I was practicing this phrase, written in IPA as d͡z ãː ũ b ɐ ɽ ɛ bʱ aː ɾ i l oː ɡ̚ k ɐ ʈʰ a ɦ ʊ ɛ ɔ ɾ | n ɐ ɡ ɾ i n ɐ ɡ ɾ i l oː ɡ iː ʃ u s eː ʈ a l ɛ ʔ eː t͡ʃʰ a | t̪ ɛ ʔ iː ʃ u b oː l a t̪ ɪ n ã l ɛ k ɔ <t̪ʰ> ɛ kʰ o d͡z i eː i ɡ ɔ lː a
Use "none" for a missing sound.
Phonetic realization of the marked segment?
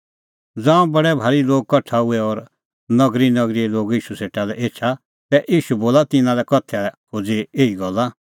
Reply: t̪ʰ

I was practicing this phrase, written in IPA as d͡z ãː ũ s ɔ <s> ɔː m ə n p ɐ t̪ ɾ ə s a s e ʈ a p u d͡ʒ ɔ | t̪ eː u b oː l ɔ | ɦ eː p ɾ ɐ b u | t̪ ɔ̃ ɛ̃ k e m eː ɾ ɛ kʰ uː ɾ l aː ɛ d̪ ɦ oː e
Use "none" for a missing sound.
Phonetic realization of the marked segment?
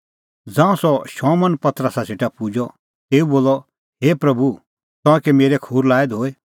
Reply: ʃ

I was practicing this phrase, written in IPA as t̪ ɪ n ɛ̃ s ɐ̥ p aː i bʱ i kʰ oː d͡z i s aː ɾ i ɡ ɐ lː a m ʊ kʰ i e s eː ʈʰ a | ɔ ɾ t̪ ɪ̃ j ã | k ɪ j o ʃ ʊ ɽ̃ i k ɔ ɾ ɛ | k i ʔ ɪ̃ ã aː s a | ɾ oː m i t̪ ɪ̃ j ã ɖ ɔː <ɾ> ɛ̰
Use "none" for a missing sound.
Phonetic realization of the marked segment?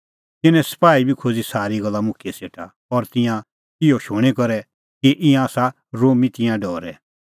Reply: ɾ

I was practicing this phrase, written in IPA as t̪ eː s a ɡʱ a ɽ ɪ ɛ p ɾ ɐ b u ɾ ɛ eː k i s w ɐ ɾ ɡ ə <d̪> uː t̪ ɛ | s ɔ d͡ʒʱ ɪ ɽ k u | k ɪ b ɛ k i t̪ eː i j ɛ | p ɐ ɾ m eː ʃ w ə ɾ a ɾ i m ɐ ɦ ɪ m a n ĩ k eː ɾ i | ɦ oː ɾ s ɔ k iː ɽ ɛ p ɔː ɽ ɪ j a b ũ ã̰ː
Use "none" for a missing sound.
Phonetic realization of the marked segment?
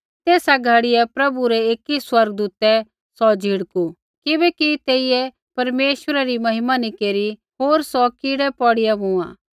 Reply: d̪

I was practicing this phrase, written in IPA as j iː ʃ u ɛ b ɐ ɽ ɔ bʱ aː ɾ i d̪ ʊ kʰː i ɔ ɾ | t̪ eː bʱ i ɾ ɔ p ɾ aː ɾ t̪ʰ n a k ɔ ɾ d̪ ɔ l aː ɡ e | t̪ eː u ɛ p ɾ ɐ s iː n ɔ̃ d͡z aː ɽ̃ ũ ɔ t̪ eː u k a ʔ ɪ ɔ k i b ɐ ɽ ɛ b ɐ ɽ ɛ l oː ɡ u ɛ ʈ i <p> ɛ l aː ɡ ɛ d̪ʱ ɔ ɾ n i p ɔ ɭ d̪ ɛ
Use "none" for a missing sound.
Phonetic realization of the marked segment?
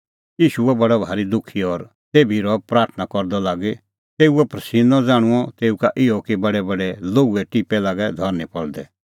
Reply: p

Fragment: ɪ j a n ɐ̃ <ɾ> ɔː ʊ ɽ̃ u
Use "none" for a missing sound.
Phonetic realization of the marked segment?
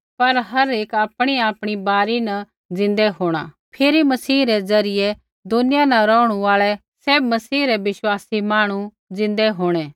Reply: ɾ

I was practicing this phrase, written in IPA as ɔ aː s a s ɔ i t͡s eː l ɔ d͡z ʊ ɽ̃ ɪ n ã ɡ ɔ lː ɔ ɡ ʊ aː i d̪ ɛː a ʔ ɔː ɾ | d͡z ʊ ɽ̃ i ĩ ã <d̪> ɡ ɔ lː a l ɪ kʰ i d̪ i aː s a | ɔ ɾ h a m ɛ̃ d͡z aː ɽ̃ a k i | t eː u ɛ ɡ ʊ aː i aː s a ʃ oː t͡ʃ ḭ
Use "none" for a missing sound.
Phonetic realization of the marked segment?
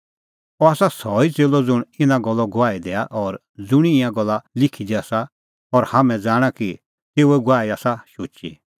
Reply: none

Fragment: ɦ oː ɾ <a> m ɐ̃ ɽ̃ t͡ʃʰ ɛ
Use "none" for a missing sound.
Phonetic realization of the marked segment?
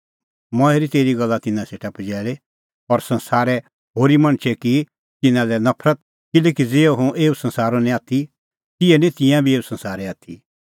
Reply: i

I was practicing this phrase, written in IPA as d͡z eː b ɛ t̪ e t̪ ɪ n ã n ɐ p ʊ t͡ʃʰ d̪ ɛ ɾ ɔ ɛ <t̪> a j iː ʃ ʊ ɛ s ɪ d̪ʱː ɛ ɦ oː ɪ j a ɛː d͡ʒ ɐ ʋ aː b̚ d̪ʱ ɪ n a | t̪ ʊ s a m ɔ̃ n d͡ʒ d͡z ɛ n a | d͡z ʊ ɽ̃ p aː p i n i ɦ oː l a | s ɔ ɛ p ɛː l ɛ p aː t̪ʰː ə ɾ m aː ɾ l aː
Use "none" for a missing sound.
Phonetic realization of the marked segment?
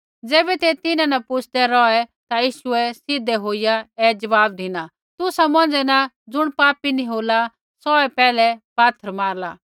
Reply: t̪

